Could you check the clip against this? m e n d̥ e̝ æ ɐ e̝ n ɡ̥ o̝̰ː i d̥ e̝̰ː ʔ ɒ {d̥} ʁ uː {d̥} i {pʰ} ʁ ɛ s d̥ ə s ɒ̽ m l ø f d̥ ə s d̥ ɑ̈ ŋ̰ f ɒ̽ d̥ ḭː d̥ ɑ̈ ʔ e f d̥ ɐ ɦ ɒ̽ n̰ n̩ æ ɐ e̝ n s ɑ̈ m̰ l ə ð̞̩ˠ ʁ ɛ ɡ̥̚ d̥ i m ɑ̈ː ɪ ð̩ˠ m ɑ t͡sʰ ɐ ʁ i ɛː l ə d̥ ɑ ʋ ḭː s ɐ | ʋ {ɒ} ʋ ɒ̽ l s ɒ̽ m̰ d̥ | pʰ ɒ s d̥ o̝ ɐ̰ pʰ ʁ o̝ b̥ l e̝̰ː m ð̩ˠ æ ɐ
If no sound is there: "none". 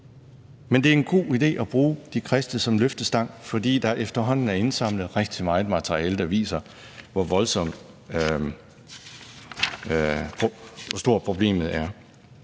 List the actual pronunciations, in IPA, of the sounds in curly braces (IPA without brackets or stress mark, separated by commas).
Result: b̥, d̥, kʰ, ɒ